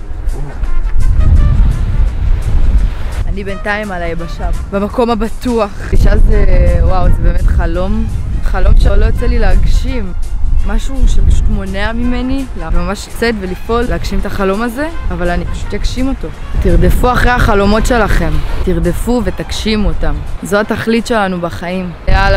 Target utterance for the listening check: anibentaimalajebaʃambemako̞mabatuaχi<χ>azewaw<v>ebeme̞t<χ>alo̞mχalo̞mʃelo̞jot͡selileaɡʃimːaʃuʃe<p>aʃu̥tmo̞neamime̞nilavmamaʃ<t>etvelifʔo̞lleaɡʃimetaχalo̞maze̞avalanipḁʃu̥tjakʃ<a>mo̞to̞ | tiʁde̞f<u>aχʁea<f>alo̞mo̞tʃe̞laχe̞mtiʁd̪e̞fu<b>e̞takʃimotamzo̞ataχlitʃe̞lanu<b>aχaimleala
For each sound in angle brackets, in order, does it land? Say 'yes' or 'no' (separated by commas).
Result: no, no, yes, yes, no, no, yes, no, no, yes